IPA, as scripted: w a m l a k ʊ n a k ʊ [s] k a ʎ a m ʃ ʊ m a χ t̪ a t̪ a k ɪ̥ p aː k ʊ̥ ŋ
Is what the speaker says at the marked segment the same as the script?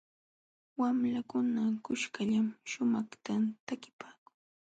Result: no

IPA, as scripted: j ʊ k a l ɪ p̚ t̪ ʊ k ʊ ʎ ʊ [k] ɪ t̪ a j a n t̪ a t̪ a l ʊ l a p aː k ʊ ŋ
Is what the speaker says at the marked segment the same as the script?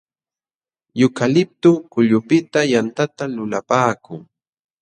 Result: no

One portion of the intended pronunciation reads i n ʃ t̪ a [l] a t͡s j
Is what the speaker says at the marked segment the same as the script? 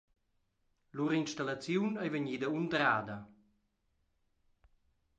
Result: yes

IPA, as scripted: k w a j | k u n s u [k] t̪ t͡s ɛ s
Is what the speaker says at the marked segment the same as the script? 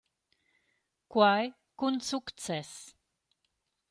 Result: yes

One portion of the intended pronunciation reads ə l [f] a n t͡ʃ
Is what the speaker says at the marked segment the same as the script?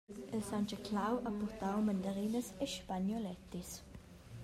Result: no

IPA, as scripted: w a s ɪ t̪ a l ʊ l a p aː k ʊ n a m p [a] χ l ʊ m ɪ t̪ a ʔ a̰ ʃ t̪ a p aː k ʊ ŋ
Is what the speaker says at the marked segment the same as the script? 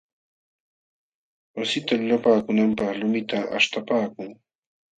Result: no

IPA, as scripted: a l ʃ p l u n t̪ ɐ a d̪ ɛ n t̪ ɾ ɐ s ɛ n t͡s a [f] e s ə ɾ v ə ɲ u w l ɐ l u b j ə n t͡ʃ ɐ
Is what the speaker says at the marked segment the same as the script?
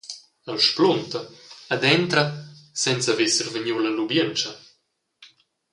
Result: no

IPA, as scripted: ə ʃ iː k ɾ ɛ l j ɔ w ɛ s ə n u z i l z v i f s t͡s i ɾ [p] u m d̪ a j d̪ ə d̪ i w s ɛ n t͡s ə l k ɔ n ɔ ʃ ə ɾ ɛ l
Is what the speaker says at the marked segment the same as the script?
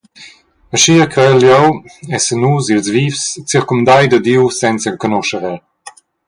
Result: no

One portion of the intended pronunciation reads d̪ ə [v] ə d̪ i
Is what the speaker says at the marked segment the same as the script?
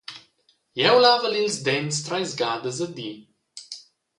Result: no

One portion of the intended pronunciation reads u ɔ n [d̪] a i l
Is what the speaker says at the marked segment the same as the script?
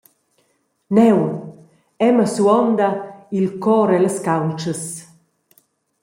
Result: yes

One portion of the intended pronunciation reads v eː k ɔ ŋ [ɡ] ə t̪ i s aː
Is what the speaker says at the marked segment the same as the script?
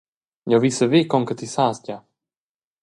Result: no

